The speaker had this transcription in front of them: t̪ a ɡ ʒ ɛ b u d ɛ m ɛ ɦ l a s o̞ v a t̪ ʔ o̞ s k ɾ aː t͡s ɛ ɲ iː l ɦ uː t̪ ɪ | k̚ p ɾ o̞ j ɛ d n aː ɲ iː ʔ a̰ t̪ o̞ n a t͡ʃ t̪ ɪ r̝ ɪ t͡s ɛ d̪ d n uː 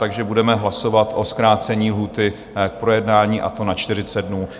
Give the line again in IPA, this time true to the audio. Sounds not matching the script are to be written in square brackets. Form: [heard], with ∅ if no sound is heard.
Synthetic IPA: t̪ a ɡ ʒ ɛ b u d ɛ m ɛ ɦ l a s o̞ v a t̪ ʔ o̞ s k ɾ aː t͡s ɛ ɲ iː l ɦ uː t̪ ɪ | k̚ p ɾ o̞ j ɛ d n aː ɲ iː ʔ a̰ t̪ o̞ n a t͡ʃ t̪ ɪ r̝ ɪ t͡s ɛ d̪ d n uː